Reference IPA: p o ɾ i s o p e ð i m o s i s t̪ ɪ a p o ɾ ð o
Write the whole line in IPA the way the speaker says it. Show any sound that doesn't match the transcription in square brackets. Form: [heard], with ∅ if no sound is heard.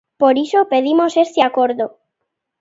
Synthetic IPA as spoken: p o ɾ i s o p e ð i m o s [e] s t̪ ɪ a [k] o ɾ ð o